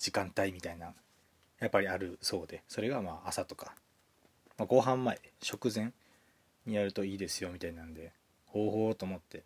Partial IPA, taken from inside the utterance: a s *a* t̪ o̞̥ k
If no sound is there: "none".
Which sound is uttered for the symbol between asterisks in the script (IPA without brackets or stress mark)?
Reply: a